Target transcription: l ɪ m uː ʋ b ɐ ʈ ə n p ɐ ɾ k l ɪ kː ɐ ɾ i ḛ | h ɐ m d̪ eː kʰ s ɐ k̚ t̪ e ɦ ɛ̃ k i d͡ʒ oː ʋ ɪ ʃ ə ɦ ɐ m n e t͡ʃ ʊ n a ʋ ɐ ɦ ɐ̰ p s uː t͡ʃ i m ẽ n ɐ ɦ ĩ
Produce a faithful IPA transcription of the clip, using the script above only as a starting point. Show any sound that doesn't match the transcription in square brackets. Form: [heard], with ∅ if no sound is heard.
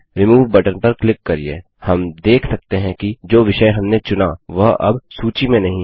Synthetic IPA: [ɾ] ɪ m uː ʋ b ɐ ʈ ə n p ɐ ɾ k l ɪ kː ɐ ɾ i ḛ | h ɐ m d̪ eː kʰ s ɐ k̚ t̪ e ɦ ɛ̃ k i d͡ʒ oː ʋ ɪ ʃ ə ɦ ɐ m n e t͡ʃ ʊ n a ʋ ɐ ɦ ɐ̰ [b] s uː t͡ʃ i m ẽ n ɐ ɦ ĩ